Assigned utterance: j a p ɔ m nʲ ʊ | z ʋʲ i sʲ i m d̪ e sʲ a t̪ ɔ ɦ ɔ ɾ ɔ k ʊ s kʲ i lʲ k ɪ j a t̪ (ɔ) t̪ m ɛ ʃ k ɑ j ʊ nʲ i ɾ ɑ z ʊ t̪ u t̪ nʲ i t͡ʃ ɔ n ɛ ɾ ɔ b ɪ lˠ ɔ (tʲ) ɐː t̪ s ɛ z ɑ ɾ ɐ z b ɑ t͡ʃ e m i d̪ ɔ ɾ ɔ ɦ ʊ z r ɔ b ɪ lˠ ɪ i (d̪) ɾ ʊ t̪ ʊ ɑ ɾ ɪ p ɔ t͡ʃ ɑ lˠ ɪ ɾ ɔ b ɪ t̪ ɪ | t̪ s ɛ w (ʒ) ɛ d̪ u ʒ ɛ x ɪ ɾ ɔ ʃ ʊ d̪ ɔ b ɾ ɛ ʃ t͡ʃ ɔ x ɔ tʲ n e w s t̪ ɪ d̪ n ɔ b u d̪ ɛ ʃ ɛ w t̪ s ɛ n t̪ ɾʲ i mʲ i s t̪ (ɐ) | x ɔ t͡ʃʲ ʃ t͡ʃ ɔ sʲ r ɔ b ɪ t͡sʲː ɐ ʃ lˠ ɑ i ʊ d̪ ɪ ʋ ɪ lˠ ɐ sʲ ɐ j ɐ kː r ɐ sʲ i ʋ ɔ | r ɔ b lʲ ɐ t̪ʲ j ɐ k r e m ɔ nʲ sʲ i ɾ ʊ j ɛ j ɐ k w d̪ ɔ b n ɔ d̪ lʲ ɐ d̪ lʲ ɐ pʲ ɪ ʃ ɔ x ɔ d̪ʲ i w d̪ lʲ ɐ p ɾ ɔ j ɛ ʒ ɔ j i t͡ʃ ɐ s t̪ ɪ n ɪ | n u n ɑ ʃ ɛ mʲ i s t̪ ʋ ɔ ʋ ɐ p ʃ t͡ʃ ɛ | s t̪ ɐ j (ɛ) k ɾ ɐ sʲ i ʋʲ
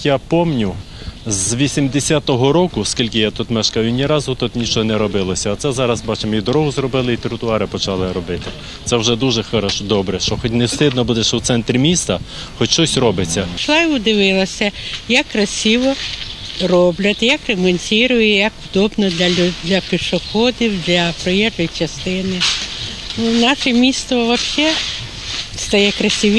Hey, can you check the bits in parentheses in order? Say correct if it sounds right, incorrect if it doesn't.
incorrect: u, incorrect: sʲ, incorrect: t̪, correct, correct, correct

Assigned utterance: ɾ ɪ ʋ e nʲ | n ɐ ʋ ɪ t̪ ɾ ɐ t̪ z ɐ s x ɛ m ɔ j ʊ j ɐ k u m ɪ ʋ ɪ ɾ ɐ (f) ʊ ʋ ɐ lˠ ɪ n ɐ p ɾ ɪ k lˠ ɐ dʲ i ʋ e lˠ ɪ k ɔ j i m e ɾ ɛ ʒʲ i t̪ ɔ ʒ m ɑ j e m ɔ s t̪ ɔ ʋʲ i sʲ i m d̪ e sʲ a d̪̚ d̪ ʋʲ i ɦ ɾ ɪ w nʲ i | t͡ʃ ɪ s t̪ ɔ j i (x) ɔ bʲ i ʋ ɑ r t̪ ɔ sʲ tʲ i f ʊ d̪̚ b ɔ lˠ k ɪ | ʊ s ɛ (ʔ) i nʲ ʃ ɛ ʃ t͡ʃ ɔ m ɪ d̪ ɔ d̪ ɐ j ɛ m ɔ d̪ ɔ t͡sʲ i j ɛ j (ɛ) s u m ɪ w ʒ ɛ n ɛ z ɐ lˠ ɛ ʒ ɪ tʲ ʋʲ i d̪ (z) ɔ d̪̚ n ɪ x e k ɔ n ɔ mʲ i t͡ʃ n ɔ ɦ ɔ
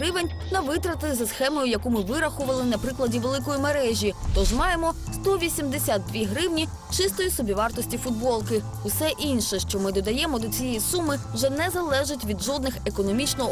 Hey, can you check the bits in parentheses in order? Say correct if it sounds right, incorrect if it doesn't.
incorrect: x, incorrect: s, correct, incorrect: i, incorrect: ʒ

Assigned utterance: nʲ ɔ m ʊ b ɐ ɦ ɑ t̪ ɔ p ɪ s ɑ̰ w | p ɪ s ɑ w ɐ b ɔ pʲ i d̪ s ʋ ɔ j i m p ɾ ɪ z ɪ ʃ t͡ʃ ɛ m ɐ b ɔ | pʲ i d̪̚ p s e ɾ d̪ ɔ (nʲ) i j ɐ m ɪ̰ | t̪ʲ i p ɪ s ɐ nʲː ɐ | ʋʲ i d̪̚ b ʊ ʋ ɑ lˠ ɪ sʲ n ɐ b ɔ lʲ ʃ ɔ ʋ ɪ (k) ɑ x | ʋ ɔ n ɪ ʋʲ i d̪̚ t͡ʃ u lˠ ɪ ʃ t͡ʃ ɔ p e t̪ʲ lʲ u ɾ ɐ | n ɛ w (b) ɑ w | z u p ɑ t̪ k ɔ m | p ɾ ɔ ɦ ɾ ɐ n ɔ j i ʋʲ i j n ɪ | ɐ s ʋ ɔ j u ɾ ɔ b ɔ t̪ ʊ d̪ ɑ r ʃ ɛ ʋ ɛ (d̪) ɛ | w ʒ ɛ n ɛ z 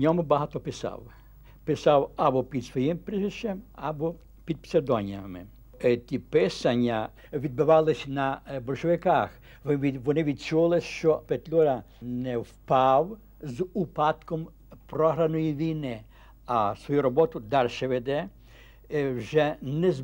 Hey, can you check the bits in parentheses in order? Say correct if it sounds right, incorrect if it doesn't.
correct, correct, incorrect: p, correct

